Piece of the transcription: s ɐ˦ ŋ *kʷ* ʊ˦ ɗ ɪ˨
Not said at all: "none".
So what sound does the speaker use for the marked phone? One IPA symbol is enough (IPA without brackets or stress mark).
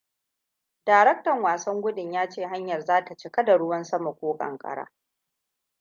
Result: ɡʷ